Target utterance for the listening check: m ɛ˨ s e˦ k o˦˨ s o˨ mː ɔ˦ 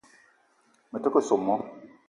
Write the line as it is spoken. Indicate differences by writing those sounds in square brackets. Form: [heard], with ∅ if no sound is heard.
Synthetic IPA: m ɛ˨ [t] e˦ k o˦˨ s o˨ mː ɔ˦

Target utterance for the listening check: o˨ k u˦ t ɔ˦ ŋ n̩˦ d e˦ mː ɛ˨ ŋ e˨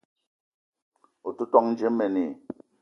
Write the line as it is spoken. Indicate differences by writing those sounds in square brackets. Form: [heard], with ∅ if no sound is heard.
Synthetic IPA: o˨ [t] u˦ t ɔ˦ ŋ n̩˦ [d͡ʒ] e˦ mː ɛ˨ [n] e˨

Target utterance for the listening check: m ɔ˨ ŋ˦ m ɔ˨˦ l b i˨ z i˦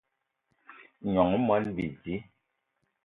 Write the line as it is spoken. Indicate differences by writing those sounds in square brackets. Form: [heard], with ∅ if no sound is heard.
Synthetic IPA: [ɲ] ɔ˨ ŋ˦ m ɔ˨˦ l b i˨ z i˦

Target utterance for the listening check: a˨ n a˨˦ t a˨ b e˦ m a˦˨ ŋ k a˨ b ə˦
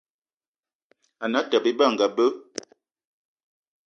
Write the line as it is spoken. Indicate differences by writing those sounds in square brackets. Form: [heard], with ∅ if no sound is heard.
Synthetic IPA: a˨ n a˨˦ t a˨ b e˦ [b] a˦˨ ŋ [ɡ] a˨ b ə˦

